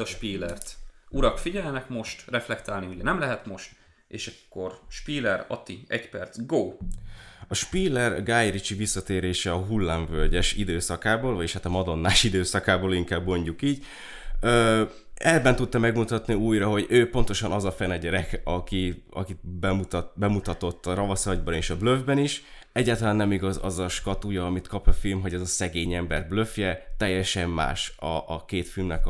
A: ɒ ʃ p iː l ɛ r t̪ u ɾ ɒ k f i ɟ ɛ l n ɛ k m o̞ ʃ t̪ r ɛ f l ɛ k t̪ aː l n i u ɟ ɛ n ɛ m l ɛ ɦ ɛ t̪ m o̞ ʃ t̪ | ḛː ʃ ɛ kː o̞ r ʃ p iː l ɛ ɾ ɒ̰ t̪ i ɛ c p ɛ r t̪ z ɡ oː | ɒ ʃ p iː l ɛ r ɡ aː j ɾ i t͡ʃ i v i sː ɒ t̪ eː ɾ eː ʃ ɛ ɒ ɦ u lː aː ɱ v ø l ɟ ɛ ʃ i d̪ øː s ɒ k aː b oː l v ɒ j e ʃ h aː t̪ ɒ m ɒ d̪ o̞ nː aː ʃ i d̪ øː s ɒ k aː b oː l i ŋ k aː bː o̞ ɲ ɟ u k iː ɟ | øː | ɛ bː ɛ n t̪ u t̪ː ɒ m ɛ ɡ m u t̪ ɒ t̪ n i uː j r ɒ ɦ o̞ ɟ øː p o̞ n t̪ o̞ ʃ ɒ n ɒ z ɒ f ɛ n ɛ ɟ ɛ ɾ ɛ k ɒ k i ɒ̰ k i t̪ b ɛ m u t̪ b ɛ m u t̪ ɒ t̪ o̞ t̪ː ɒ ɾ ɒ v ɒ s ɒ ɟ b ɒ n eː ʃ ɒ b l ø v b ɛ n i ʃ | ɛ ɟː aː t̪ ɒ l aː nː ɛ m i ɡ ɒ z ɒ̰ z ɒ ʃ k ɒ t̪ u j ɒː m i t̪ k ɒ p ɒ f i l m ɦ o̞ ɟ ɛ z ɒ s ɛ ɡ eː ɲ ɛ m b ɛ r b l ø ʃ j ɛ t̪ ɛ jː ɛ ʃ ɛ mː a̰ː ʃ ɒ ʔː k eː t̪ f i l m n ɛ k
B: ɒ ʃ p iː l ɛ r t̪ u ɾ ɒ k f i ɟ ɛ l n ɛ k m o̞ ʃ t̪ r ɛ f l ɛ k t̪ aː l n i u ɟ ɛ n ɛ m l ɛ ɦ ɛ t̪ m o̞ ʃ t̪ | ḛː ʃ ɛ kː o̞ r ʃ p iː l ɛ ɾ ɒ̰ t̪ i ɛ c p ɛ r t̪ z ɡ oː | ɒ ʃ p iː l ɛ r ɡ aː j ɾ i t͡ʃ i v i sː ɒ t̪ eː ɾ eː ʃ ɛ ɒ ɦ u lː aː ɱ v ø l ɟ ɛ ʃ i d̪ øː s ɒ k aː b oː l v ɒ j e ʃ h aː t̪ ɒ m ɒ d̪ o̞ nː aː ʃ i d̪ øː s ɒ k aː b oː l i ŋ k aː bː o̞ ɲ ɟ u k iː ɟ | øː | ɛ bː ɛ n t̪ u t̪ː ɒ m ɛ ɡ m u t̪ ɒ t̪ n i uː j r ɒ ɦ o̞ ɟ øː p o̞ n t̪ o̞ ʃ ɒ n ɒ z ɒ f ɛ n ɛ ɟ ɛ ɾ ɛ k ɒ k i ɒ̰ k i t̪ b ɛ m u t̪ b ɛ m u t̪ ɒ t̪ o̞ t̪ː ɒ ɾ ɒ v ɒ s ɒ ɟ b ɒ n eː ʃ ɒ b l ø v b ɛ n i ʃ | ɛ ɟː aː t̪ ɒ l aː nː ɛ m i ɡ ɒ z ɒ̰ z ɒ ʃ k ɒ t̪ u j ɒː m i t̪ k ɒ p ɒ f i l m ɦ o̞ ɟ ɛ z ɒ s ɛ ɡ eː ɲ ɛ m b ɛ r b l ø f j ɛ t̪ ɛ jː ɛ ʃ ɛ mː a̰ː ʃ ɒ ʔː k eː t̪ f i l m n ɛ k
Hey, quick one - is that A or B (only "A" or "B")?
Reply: B